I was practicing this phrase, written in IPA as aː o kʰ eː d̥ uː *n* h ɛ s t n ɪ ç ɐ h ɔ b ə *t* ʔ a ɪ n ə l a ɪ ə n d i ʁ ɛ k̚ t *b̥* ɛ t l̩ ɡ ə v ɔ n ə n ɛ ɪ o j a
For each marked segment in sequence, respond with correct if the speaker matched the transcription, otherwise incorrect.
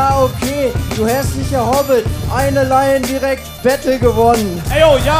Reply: incorrect: none, correct, correct

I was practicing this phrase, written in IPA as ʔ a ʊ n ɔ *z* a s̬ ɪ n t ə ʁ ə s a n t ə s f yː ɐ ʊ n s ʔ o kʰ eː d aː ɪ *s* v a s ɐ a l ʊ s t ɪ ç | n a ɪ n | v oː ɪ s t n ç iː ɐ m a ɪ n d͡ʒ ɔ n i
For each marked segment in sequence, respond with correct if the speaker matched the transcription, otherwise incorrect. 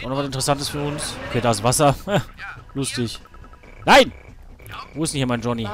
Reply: incorrect: v, correct

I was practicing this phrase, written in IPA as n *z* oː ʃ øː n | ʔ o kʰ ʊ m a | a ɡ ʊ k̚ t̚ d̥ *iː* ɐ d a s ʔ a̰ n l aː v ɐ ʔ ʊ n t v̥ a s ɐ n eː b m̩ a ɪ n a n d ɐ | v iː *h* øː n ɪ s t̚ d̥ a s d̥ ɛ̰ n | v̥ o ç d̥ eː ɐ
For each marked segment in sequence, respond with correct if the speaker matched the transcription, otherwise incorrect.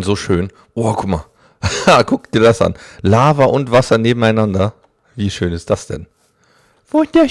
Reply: correct, correct, incorrect: ʃ

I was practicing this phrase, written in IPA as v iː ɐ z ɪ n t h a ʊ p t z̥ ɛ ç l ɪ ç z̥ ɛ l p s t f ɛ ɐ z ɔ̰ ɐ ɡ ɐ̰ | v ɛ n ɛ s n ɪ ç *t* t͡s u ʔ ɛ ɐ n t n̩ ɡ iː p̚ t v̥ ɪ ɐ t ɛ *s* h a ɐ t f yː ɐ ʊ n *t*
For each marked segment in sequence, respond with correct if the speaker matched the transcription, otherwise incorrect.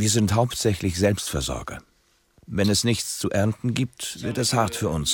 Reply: incorrect: t͡s, correct, incorrect: s

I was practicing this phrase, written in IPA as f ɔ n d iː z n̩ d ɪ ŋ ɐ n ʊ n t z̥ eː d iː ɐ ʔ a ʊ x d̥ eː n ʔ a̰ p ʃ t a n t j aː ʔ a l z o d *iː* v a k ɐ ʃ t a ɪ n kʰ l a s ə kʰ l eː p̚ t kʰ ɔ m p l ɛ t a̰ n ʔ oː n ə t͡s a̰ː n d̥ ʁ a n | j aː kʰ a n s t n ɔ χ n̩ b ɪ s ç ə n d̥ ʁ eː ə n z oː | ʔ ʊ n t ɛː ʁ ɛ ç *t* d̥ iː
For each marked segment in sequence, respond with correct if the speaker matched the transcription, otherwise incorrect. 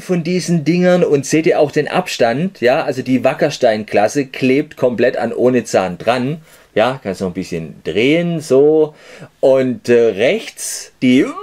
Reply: correct, incorrect: t͡s

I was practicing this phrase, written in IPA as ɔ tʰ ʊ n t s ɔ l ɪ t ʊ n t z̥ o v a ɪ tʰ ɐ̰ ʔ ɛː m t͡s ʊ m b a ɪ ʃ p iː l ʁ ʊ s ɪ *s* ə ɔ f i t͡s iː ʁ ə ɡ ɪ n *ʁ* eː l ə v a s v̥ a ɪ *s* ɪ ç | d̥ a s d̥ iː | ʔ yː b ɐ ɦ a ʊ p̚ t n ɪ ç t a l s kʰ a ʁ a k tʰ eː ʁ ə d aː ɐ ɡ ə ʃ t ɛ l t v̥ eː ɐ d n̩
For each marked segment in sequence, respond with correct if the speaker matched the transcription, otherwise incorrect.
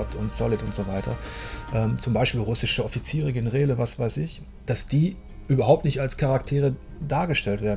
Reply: incorrect: ʃ, correct, correct

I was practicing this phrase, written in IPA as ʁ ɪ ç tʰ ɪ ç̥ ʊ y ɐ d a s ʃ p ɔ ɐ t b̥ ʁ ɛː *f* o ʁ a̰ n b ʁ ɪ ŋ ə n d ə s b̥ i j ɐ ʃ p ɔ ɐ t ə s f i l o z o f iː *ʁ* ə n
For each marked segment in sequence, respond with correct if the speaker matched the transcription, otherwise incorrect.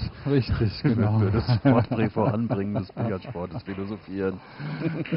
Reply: correct, correct

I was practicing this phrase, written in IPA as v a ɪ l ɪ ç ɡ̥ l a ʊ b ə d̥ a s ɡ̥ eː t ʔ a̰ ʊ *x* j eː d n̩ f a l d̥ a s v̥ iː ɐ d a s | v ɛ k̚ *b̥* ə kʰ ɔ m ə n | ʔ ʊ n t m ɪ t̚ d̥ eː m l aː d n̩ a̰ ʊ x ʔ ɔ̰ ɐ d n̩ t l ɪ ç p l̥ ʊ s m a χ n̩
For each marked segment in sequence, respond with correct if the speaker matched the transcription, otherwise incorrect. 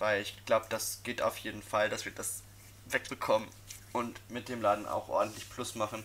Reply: incorrect: f, correct

